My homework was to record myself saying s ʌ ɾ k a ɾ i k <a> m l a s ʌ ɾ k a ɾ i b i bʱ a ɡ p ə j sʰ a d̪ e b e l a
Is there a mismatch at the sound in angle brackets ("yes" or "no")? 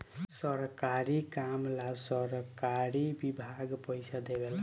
no